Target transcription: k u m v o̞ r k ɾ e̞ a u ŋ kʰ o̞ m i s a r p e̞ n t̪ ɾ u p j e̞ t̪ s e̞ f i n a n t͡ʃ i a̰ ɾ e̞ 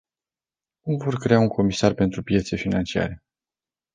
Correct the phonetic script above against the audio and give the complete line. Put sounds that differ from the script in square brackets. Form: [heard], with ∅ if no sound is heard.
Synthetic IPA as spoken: k u m v o̞ r k ɾ e̞ a u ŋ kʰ o̞ m i s a r p e̞ n t̪ ɾ u p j e̞ t̪ s e̞ f i n a n t͡ʃ i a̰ ɾ e̞